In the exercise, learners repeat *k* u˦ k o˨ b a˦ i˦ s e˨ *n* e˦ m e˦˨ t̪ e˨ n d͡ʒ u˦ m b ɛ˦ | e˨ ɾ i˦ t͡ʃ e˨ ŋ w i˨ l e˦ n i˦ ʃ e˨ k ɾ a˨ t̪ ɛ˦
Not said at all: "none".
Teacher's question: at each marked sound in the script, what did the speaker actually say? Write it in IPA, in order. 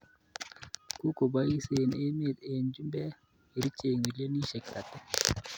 k, n

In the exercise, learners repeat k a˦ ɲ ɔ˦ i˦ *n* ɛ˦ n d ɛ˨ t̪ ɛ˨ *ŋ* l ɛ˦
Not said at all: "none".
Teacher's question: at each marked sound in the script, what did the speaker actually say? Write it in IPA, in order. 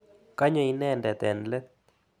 n, n

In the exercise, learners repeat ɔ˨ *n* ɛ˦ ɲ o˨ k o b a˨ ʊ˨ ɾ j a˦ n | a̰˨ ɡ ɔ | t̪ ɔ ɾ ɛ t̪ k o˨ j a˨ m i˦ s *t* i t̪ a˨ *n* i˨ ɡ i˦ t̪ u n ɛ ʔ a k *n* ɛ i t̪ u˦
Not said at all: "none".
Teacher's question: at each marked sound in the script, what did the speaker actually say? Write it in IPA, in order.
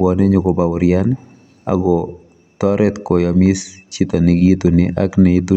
n, t͡ʃ, n, n

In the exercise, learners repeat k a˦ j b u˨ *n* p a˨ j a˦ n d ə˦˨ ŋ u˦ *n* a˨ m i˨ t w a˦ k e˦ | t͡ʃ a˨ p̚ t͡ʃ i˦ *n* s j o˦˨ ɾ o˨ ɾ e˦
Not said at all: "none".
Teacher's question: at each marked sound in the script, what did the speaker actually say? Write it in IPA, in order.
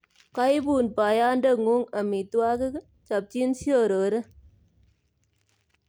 n, ŋ, n

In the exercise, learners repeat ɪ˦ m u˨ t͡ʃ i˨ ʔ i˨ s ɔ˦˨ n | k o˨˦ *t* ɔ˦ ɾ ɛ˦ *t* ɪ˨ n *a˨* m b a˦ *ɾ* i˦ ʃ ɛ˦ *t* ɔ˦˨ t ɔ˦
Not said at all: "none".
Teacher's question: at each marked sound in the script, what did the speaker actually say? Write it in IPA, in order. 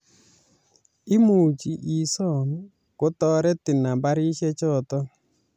t, t, a˨, ɾ, t͡ʃ

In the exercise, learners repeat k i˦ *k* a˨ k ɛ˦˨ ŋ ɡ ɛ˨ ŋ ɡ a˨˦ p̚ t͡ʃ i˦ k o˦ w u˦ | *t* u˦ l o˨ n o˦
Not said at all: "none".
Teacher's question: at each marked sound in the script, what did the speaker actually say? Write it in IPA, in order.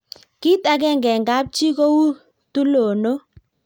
t, t

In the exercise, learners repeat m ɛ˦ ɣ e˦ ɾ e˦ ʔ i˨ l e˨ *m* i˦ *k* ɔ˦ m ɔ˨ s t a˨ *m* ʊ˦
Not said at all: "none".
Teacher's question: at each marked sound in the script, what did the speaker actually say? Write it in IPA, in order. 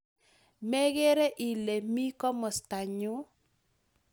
m, k, ɲ

